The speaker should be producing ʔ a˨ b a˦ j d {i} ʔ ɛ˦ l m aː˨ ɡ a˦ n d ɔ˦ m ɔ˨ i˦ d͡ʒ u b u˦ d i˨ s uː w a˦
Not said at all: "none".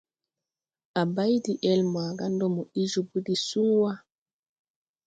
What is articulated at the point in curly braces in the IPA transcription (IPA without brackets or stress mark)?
i